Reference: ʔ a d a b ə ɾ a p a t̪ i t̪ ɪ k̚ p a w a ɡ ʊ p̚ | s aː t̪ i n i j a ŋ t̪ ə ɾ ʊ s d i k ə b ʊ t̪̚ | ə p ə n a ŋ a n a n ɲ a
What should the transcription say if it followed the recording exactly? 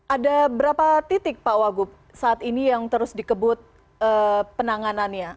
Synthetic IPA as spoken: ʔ a d a b ə ɾ a p a t̪ i t̪ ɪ k̚ p a w a ɡ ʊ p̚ | s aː t̪ i n i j a ŋ t̪ ə ɾ ʊ s d i k ə b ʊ t̪̚ | ə p ə n a ŋ a n a n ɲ a